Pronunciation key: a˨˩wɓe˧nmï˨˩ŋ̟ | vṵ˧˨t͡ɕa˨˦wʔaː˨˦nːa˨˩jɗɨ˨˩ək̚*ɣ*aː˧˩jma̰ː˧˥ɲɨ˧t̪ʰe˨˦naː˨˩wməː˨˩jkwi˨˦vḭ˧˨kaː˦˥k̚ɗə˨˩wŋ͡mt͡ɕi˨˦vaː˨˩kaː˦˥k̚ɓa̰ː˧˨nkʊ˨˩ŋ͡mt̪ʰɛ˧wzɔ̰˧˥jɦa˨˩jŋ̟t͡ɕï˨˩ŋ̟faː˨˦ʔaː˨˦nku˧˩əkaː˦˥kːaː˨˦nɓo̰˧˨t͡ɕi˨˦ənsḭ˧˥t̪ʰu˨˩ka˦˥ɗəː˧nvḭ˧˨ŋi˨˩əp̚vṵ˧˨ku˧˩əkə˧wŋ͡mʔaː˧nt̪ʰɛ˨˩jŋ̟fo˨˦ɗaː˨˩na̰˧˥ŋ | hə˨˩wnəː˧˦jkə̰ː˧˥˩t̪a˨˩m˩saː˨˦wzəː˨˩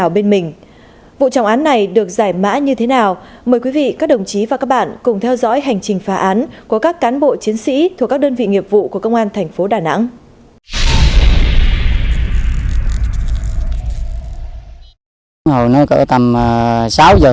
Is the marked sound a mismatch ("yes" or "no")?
yes